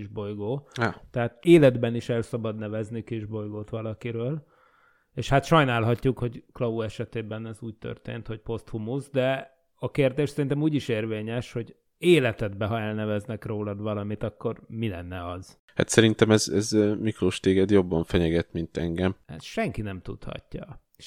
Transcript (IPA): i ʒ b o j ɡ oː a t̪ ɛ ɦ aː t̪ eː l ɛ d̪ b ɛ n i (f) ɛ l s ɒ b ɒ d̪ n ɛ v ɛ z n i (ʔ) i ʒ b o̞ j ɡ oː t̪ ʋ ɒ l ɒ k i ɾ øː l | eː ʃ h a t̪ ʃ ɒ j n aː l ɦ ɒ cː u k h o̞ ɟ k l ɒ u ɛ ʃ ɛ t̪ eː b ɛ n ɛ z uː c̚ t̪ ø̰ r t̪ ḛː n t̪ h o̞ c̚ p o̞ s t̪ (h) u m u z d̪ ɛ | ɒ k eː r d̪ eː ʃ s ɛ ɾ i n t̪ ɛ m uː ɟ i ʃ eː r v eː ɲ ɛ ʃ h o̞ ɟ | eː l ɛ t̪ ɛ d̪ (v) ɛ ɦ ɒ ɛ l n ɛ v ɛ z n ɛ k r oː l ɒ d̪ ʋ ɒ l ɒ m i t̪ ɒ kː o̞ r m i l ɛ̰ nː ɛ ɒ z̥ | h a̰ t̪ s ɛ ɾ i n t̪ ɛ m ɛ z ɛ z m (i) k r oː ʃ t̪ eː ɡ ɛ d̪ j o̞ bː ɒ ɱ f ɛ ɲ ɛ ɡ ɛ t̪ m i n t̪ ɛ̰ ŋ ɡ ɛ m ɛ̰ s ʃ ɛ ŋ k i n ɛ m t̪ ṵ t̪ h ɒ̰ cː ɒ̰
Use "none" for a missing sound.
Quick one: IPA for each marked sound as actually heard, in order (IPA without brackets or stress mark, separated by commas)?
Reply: ʃ, k, h, b, i